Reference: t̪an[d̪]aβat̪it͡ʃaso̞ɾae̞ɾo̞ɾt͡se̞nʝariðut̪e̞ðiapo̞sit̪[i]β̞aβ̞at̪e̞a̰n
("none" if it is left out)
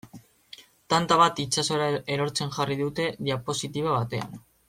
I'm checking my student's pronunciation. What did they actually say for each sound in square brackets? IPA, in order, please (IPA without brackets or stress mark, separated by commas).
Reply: t̪, i